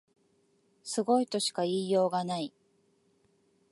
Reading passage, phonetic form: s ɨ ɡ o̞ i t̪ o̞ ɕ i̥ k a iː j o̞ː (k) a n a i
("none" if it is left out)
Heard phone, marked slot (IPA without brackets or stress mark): ɡ